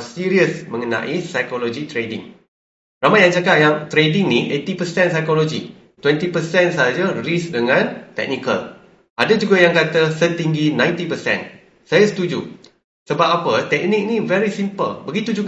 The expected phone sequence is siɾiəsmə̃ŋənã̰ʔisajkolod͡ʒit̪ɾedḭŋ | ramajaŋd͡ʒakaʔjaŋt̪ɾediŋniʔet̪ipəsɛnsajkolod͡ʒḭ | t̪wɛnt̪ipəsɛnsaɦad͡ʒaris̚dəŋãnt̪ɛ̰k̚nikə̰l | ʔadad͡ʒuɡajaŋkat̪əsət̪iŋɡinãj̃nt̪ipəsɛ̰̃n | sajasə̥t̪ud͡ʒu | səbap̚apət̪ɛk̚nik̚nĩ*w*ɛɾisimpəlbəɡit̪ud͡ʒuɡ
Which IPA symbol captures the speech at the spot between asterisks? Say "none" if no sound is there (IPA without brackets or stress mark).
v